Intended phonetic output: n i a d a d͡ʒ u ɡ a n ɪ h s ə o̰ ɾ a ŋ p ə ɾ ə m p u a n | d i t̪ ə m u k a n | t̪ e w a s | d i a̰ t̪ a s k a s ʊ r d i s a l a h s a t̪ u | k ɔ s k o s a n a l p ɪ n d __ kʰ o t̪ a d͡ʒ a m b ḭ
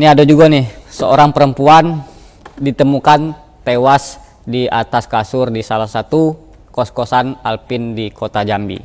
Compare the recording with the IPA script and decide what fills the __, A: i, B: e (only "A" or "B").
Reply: A